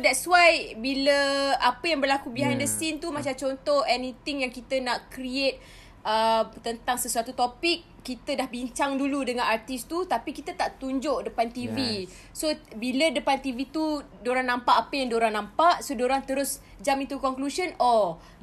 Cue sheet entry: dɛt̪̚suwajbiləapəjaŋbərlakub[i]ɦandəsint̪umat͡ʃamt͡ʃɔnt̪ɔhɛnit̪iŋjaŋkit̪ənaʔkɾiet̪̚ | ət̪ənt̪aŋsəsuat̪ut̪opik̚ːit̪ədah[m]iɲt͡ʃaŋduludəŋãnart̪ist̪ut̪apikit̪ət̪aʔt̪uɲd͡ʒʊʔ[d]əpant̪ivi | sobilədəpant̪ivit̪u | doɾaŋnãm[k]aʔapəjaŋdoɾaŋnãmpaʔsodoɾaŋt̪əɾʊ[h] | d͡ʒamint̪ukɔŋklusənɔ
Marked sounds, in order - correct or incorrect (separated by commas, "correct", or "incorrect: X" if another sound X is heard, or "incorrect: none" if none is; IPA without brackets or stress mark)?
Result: correct, incorrect: b, correct, incorrect: p, incorrect: s